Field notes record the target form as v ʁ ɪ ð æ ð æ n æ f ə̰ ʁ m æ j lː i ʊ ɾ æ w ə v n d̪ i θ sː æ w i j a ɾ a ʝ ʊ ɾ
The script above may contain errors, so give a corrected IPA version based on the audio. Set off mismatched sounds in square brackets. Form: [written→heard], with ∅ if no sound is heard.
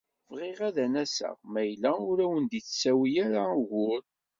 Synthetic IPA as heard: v ʁ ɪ [ð→ʁ] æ ð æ n æ [f→s] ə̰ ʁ m æ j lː [i→æ] ʊ ɾ æ w ə [v→∅] n d̪ i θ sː æ w i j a ɾ a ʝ ʊ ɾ